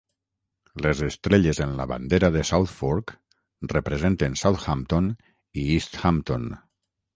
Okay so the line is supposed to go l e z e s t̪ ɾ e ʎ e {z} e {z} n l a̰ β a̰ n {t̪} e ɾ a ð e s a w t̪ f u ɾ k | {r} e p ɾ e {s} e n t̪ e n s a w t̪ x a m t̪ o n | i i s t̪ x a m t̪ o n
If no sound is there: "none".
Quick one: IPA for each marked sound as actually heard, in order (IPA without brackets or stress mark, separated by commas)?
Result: z, none, d̪, r, z